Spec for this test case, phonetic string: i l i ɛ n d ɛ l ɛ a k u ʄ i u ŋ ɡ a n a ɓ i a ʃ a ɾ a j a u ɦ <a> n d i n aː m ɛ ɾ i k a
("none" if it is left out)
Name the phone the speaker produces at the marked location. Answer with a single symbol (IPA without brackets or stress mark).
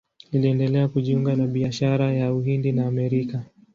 i